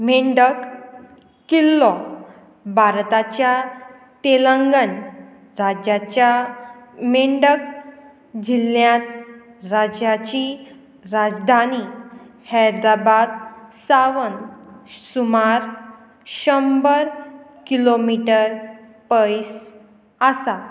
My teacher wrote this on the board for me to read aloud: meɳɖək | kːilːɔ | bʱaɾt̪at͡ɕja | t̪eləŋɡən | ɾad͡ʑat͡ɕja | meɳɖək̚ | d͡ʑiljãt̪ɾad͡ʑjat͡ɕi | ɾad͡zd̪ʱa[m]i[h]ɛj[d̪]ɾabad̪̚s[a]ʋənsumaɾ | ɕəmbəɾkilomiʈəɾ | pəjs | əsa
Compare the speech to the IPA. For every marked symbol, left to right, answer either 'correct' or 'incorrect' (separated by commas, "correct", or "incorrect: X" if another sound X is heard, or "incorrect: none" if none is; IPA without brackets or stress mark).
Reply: incorrect: n, correct, correct, correct